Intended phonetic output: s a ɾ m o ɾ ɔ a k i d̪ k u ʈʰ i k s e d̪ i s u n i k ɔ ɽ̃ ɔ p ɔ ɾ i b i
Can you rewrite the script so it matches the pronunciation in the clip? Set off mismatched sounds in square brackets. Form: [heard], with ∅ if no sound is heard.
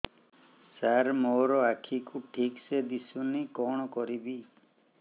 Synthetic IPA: s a ɾ m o ɾ ɔ a [kʰ] i [∅] k u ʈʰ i k s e d̪ i s u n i k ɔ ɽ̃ ɔ [k] ɔ ɾ i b i